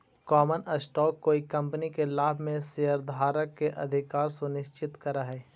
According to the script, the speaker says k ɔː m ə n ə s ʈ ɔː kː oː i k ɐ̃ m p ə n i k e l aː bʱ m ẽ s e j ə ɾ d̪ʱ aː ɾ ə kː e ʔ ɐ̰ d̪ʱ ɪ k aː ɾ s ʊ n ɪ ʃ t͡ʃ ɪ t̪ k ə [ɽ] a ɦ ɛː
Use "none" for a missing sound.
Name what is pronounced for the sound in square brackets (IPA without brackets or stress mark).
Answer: ɾ